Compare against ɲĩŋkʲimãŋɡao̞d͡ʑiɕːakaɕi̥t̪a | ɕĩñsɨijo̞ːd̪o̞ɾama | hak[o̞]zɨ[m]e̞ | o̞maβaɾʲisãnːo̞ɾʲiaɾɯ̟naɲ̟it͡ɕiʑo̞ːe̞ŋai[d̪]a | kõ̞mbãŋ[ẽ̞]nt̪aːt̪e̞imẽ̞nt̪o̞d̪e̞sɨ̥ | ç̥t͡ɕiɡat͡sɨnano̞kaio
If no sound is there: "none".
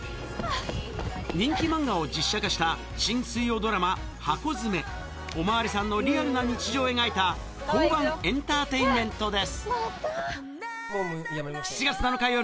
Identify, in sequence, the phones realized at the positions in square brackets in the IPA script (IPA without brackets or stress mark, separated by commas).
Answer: o̞, m, t̪, ẽ̞